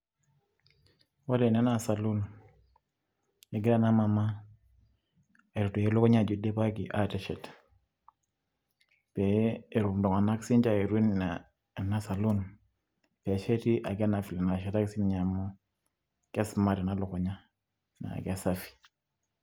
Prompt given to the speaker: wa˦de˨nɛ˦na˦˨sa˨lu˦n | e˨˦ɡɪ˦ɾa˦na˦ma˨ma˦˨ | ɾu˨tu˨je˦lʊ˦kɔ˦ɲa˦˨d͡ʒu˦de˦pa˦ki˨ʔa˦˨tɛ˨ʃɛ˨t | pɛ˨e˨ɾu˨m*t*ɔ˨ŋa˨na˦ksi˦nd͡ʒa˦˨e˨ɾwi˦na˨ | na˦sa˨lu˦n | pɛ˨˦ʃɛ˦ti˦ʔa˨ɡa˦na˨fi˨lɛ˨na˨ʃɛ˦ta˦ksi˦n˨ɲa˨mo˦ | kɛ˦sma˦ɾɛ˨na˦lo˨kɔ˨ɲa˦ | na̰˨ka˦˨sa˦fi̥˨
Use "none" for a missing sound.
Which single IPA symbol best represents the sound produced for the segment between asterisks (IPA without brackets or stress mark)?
d